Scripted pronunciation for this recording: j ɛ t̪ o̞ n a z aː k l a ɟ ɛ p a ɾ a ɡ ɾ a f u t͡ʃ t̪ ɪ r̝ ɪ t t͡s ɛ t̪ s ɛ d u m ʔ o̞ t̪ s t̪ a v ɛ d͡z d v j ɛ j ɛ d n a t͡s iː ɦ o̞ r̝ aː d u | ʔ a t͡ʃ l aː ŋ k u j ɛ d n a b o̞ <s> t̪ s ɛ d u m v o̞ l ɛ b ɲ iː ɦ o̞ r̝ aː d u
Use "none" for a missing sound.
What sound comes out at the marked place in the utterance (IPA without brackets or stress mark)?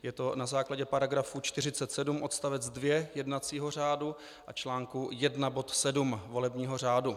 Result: none